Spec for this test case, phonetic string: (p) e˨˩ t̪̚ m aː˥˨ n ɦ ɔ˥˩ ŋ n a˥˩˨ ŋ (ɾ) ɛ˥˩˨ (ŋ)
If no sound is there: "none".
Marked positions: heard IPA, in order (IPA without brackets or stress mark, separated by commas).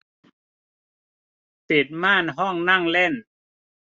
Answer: p, l, n